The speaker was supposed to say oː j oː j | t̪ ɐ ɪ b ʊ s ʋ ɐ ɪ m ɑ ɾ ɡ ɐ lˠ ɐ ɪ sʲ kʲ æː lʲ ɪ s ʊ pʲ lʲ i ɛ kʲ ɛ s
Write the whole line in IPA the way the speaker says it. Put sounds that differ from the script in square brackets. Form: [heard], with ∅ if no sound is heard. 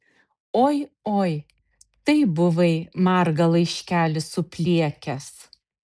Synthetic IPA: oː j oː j | t̪ ɐ ɪ b ʊ [∅] ʋ ɐ ɪ m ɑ ɾ ɡ ɐ lˠ ɐ ɪ [ʃʲ] kʲ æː lʲ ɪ s ʊ pʲ lʲ i ɛ kʲ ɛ s